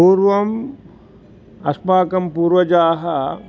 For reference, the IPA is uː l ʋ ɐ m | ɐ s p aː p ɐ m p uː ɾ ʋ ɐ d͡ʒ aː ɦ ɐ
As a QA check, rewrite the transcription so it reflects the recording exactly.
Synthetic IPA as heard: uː ɾ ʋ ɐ m | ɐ s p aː k ɐ m p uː ɾ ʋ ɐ d͡ʒ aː ɦ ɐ